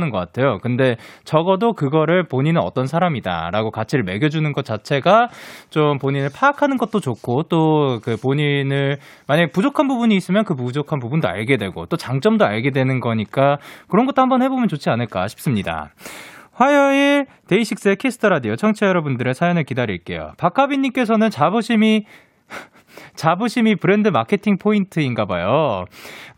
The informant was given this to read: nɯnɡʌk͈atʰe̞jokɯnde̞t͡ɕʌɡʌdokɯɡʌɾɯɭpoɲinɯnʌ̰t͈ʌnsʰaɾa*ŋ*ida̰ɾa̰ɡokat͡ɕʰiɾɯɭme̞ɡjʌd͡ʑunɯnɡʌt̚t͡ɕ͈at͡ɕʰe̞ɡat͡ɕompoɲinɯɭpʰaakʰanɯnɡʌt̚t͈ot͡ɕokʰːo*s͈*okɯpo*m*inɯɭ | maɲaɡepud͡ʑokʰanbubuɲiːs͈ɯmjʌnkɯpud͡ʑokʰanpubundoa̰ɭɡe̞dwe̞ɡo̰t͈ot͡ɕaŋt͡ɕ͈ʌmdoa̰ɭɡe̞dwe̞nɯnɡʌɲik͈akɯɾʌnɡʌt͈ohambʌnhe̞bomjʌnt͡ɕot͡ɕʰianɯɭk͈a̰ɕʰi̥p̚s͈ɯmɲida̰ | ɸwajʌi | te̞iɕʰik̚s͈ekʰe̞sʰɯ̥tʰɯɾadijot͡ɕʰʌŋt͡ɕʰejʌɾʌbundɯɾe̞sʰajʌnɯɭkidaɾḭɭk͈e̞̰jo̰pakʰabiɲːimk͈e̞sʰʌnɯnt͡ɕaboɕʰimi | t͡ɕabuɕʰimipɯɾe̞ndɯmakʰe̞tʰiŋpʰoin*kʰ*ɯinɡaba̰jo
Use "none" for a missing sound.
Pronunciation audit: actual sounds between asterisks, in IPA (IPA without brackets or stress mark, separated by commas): m, t͈, ɲ, tʰ